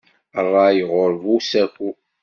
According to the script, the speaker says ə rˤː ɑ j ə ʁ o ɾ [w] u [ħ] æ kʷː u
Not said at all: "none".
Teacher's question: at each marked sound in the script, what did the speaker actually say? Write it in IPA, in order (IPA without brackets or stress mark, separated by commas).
v, s